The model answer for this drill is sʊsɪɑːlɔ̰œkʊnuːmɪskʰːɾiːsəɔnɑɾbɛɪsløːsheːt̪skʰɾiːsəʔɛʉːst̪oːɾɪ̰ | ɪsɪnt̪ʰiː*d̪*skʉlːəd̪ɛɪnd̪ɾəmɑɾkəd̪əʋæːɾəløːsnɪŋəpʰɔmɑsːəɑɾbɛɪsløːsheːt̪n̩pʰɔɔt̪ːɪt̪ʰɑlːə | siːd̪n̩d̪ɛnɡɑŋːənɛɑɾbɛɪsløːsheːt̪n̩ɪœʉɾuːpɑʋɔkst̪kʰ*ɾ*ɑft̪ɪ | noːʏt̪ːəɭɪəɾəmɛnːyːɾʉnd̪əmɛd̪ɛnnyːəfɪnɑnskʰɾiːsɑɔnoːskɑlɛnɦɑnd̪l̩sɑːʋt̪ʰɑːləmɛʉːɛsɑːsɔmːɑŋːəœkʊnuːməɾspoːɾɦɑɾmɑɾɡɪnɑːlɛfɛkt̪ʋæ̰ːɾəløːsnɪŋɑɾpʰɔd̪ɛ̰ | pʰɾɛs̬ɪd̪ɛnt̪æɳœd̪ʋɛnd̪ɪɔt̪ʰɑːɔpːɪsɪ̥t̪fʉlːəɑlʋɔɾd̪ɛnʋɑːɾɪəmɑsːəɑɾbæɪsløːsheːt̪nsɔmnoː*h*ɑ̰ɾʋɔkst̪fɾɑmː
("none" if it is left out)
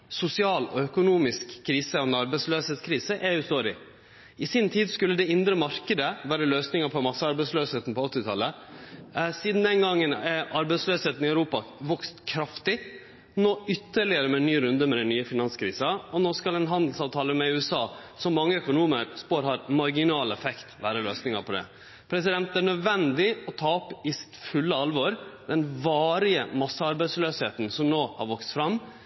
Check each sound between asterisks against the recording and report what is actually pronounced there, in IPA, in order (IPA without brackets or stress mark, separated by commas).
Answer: d̪, ɾ, h